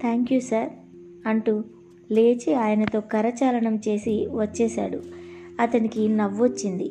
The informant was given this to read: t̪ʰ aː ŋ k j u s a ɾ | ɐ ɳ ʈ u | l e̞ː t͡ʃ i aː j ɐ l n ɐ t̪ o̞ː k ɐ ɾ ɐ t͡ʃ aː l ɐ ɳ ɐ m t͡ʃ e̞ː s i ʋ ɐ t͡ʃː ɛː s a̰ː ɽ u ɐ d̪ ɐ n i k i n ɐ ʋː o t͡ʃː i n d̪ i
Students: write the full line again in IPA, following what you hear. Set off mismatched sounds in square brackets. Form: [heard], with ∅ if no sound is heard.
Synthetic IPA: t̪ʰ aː ŋ k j u s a ɾ | ɐ ɳ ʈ u | l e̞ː t͡ʃ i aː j ɐ [∅] n ɐ t̪ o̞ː k ɐ ɾ ɐ t͡ʃ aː l ɐ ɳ ɐ m t͡ʃ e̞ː s i ʋ ɐ t͡ʃː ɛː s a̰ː ɽ u ɐ [t̪] ɐ n i k i n ɐ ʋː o t͡ʃː i n d̪ i